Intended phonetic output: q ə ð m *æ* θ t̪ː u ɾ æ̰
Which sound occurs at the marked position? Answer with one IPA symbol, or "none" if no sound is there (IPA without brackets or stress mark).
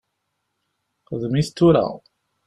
i